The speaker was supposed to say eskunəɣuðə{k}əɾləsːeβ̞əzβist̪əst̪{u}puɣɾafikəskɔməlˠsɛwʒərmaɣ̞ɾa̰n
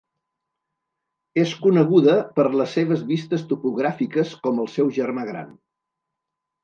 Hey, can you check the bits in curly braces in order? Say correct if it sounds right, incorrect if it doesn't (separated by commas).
incorrect, correct